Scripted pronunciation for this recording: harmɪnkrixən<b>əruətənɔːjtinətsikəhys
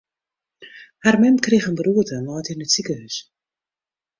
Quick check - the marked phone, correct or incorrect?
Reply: correct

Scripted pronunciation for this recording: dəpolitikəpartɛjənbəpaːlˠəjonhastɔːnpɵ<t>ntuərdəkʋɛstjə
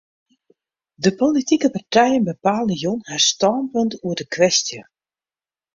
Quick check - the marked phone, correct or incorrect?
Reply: incorrect: none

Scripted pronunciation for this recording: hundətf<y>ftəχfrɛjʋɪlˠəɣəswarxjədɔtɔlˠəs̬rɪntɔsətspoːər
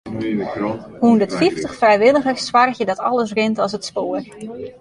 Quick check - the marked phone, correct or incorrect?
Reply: incorrect: i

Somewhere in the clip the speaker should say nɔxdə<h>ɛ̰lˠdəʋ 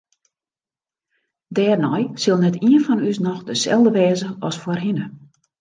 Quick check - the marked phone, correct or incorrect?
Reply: incorrect: s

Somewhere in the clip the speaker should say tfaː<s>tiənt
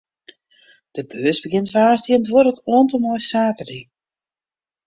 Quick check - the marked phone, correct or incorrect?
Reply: correct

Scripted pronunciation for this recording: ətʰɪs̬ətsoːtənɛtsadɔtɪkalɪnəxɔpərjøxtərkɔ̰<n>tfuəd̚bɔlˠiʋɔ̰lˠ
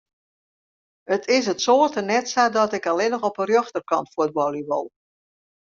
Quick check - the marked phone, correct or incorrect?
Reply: correct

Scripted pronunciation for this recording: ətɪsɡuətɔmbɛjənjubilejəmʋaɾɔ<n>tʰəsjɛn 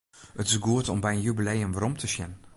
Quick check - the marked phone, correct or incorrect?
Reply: incorrect: m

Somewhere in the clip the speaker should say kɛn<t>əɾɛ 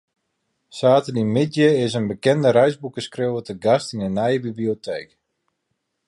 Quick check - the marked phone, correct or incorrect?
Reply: incorrect: d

